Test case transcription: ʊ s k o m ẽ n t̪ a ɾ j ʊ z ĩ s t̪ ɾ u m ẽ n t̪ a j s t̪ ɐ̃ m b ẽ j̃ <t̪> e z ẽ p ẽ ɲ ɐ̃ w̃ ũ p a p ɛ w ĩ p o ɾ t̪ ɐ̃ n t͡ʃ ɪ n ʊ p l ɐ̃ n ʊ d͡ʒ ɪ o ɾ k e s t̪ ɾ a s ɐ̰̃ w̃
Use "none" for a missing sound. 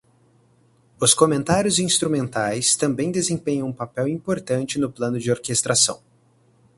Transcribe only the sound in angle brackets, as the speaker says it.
d̪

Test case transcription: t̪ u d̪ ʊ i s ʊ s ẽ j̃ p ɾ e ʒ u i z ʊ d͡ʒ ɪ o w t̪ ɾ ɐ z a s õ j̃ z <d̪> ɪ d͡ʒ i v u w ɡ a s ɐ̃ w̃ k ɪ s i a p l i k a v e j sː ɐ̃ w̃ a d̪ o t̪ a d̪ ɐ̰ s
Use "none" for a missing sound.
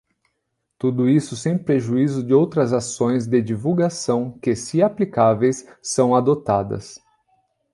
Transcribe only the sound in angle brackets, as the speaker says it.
d̪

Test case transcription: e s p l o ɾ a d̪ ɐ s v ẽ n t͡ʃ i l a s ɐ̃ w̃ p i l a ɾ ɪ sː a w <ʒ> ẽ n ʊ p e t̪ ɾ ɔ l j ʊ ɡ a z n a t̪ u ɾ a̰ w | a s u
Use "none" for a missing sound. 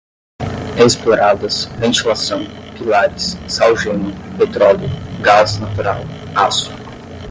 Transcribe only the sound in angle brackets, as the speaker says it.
ʒ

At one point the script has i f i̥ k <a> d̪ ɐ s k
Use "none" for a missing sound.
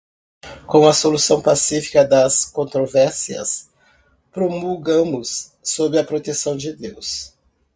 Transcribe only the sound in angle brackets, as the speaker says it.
ɐ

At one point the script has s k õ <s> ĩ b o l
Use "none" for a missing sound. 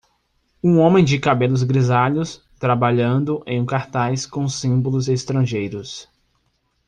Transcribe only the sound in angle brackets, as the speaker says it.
s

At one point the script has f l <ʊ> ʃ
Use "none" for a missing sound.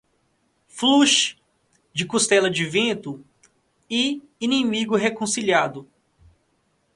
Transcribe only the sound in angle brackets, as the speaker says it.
u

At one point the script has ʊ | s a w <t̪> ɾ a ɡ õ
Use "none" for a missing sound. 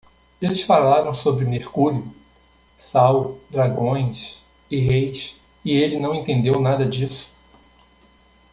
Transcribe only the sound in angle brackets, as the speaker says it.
d̪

